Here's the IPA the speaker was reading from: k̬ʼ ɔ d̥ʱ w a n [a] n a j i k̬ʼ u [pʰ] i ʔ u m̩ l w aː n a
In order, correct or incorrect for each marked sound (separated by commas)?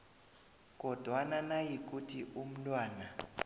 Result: correct, incorrect